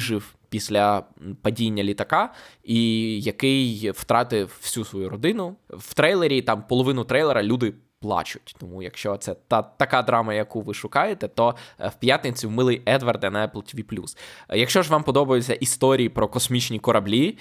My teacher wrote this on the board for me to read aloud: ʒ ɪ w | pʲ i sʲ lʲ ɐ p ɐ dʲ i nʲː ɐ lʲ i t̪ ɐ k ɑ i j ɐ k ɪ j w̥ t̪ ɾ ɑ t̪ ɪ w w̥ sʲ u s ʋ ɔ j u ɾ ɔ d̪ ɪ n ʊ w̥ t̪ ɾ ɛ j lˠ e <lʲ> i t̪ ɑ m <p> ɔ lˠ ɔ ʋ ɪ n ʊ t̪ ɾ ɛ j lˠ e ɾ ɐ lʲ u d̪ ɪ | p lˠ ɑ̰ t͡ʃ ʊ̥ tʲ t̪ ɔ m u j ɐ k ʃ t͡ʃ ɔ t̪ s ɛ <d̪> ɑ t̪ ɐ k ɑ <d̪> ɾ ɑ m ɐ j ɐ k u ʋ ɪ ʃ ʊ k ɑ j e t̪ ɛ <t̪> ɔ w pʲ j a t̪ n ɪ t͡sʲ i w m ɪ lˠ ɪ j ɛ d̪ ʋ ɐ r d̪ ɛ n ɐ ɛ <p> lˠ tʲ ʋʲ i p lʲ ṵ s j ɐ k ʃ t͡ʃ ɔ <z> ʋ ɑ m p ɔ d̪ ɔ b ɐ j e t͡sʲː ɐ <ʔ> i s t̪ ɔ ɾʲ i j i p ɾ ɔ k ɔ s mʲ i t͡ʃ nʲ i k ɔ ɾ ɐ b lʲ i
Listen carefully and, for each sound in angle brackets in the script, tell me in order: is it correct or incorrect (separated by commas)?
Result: incorrect, correct, incorrect, correct, correct, correct, incorrect, correct